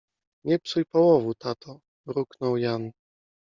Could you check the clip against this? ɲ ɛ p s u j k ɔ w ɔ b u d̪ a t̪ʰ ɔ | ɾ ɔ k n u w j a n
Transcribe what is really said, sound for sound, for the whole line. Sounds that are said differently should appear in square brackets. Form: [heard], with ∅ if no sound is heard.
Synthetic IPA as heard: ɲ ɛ p s u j [p] ɔ w ɔ [v] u [t̪] a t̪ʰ ɔ | ɾ [u] k n [ɔ] w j a n